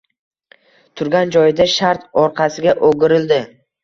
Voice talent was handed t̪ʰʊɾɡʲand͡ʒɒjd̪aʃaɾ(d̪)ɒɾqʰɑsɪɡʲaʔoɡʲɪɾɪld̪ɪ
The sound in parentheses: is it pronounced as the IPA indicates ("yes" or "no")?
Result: no